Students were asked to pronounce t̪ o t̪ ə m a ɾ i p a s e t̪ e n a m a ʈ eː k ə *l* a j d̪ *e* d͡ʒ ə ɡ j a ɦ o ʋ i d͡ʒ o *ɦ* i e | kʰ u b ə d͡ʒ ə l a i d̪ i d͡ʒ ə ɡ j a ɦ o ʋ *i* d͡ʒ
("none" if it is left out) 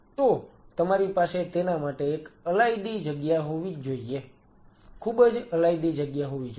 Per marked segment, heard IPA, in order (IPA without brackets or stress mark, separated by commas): l, i, none, i